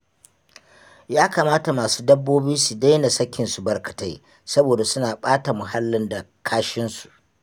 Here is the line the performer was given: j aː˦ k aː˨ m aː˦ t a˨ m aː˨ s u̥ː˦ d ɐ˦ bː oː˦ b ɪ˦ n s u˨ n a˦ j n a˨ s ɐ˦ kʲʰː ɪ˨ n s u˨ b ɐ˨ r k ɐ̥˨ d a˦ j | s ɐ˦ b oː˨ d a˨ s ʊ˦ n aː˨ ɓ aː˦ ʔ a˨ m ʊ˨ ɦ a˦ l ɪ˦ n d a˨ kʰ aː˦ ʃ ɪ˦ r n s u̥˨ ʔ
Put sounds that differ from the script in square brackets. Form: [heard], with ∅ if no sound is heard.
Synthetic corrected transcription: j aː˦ k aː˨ m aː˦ t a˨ m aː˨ s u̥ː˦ d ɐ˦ bː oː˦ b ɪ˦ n s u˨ [d] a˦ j n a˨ s ɐ˦ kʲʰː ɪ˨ n s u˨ b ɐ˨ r k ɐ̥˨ [t] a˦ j | s ɐ˦ b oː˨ d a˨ s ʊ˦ n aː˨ ɓ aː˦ [t] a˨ m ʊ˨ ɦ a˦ [lː] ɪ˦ n d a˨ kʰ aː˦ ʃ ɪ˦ [∅] n s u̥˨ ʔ